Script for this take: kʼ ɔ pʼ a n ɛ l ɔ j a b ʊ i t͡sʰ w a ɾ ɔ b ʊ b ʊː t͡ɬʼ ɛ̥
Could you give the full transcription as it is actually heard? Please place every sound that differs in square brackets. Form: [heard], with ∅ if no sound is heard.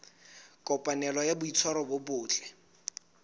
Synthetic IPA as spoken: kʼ ɔ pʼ a n ɛ l ɔ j a b ʊ i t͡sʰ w a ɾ ɔ b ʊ b ʊː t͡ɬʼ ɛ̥